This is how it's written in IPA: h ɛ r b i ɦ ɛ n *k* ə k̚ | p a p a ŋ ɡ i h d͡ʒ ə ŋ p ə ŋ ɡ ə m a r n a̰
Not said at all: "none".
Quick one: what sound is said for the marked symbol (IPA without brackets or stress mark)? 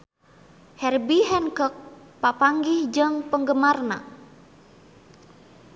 k